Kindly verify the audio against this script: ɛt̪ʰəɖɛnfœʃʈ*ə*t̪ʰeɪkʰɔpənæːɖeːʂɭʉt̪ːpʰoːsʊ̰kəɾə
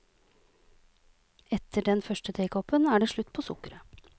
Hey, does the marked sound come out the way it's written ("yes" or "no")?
yes